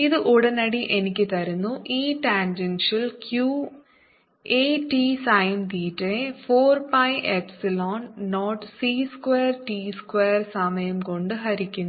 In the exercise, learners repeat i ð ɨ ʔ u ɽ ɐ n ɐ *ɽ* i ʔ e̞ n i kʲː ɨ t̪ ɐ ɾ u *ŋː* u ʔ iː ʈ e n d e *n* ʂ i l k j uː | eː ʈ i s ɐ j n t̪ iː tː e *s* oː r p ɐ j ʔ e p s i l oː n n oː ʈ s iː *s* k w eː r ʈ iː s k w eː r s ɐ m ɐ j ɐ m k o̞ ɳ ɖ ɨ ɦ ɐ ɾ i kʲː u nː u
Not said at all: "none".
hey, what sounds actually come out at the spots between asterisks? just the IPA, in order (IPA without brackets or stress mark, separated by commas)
ɽ, nː, n, f, s